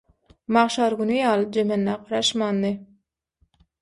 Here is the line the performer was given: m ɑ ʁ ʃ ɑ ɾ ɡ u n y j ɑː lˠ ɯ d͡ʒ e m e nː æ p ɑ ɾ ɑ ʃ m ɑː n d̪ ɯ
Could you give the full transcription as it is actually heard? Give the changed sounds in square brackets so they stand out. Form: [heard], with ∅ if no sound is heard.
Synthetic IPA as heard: m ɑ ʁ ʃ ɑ ɾ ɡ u n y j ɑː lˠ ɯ d͡ʒ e m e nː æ [q] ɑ ɾ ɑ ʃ m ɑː n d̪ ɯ